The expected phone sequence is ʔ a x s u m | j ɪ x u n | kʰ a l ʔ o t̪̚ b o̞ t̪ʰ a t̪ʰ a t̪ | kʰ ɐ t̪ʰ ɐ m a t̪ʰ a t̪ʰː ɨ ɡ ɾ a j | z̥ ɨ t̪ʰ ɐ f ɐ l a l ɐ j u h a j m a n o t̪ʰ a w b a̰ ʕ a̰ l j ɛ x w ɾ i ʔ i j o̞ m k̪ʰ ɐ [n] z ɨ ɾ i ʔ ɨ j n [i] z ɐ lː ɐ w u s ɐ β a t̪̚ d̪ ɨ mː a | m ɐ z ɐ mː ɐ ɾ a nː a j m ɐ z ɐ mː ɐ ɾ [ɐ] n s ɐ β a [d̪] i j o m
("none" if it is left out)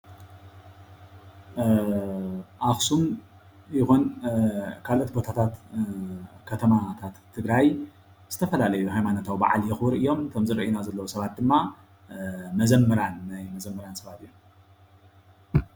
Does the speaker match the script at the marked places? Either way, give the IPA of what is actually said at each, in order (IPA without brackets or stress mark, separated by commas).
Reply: m, a, a, t̪